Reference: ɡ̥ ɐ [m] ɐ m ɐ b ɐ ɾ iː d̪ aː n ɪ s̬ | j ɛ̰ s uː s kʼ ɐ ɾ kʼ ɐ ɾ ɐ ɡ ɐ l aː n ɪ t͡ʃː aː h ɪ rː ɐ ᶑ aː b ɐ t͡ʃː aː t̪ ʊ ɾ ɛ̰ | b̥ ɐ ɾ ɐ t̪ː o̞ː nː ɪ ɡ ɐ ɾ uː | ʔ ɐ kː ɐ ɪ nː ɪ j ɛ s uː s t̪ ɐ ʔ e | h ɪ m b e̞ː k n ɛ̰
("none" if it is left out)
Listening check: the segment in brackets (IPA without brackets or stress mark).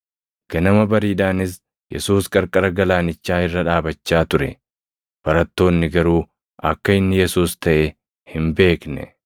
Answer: n